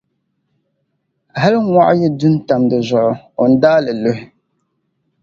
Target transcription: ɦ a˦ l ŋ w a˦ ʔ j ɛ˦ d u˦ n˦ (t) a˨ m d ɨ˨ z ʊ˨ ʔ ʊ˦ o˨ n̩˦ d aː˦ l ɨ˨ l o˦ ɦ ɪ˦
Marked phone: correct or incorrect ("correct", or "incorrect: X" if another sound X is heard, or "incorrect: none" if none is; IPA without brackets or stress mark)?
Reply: correct